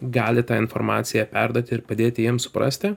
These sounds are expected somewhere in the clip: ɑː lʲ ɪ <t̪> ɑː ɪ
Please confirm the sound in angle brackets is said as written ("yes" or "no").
yes